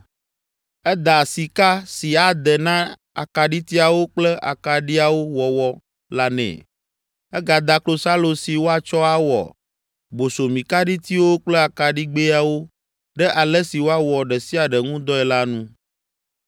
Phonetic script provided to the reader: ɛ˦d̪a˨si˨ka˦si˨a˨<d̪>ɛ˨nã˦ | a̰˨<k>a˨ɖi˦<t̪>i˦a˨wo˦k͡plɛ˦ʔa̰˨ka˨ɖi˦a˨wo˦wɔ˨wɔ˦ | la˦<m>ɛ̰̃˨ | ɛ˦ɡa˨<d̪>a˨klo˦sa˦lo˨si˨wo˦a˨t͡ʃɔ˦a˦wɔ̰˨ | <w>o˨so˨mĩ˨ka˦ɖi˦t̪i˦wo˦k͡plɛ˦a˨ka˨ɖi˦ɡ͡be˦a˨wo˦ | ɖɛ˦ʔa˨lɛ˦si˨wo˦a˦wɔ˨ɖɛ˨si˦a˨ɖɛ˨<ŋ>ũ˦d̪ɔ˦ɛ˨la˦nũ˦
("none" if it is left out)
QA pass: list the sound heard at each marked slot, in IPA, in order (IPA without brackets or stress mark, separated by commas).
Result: d̪, k, t̪, n, d̪, b, ŋ